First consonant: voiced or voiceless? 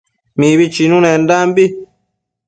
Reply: voiced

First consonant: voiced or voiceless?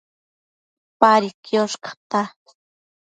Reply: voiceless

